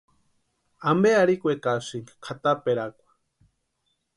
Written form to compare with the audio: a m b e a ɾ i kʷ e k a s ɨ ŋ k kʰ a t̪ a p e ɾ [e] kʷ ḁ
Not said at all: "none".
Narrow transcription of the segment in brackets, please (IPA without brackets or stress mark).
a